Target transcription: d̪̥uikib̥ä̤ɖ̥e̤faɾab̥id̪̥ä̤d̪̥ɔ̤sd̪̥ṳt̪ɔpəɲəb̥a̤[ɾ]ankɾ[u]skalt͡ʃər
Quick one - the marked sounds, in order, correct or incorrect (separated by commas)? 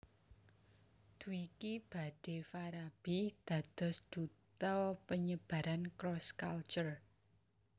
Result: correct, incorrect